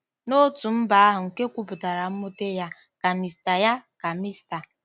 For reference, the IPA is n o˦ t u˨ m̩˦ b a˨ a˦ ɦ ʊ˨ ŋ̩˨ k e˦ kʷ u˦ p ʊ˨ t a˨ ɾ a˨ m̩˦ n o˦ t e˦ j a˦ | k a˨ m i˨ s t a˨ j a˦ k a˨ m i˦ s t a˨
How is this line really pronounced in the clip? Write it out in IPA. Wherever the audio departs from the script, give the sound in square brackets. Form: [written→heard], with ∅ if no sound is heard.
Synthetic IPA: n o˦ t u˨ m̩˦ b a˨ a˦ ɦ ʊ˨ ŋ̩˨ k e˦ kʷ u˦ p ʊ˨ t a˨ ɾ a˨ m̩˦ [n→m] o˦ t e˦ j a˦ | k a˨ m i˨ s t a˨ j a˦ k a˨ m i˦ s t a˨

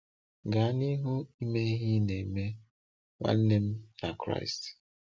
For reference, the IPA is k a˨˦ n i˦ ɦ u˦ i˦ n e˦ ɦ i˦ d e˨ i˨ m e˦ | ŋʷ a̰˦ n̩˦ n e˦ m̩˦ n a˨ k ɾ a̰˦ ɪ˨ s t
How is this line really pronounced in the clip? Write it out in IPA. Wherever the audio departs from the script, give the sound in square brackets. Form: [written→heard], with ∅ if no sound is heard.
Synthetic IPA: [k→ɡ] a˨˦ n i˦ ɦ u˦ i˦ [n→m] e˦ ɦ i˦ [d→n] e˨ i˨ m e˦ | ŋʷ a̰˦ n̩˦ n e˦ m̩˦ n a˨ k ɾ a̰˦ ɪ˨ s t

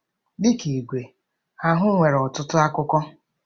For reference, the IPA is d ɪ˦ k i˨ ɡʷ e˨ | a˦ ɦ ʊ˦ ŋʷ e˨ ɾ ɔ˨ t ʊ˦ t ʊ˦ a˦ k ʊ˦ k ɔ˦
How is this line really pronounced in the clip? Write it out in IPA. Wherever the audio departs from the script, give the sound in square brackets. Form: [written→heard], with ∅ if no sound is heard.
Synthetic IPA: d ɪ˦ k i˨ ɡʷ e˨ | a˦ ɦ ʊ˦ ŋʷ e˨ ɾ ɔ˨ t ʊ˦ t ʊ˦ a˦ k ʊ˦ k ɔ˦

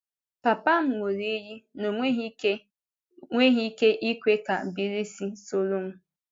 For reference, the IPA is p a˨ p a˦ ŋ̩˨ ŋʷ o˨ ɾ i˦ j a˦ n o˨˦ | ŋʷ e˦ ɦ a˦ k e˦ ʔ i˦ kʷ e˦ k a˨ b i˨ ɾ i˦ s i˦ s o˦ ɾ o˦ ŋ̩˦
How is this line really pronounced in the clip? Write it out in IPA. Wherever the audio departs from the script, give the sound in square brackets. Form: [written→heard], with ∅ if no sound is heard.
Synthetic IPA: p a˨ p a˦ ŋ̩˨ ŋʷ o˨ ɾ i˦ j [a˦→i˦] n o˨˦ | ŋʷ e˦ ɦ [a˦→i˦] k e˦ ʔ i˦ kʷ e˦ k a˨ b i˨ ɾ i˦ s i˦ s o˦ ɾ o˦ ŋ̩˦

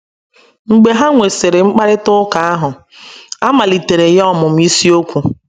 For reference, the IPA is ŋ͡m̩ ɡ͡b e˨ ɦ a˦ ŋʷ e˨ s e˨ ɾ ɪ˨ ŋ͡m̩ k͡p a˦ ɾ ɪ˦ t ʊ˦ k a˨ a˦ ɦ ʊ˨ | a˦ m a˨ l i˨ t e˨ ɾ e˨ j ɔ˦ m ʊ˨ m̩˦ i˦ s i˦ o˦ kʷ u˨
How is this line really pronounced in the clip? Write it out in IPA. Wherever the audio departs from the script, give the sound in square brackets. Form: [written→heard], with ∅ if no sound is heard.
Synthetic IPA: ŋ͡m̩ ɡ͡b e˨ ɦ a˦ ŋʷ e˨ s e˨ ɾ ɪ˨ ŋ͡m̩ k͡p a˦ ɾ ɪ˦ t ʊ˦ k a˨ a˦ ɦ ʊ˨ | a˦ m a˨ l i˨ t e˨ ɾ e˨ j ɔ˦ m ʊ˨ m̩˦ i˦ s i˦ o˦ kʷ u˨

